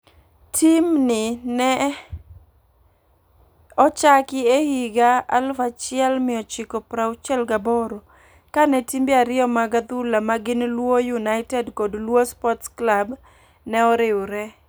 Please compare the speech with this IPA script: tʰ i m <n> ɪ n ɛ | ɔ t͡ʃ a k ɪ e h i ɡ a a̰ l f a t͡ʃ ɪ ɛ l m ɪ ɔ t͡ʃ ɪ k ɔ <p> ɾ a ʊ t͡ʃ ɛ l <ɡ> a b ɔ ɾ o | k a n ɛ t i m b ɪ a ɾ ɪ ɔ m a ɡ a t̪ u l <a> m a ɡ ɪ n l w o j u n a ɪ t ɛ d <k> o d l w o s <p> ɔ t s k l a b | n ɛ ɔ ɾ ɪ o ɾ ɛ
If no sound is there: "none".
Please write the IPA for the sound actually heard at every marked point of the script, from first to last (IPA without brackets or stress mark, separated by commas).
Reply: n, p, ɡ, a, k, p